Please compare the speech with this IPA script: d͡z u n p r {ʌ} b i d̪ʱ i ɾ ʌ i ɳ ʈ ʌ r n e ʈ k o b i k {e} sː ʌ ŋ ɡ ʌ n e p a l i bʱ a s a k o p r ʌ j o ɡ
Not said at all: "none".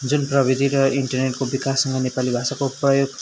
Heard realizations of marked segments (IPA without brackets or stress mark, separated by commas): ʌ, a